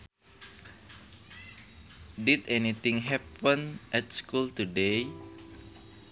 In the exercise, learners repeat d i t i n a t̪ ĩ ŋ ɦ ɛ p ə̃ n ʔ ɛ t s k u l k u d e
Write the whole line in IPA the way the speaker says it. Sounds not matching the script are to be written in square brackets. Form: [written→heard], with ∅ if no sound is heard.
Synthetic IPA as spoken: d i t [i→ɛ] n [a→i] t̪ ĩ ŋ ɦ ɛ p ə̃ n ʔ ɛ t s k u l [k→t] u d e